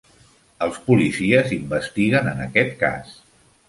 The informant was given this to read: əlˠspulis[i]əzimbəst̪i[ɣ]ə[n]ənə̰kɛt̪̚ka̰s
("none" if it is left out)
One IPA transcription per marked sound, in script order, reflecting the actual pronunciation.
i, ɣ, n

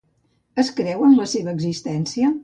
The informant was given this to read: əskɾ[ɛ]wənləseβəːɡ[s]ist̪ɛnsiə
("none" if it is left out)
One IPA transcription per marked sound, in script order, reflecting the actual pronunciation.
ɛ, z

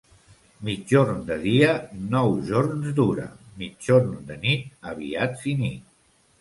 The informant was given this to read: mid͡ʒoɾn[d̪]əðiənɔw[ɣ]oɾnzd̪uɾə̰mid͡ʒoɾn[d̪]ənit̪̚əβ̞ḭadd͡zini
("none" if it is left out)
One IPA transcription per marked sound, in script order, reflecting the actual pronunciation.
d̪, ʒ, d̪

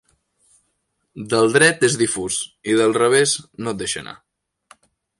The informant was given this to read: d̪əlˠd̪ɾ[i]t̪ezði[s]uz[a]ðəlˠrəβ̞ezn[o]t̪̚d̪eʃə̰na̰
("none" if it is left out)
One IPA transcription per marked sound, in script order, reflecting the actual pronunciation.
ɛ, f, i, o

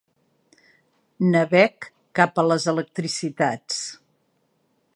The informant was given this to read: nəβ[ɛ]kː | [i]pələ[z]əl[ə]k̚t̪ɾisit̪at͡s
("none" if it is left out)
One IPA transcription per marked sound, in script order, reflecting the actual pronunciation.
ɛ, a, z, ə

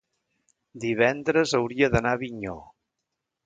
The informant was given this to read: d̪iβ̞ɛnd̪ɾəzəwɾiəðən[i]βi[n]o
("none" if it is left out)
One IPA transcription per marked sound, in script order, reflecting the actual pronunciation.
a, ɲ

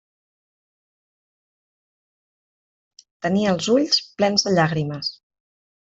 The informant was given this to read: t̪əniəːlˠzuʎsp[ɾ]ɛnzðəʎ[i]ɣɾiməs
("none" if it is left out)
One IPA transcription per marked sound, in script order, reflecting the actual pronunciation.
l, a

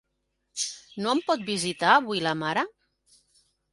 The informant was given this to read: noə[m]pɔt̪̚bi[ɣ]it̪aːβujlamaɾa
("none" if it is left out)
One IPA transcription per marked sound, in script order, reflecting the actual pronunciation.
m, z

